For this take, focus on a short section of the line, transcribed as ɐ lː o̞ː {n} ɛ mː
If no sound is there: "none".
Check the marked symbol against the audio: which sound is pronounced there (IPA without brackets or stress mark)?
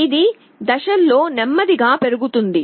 n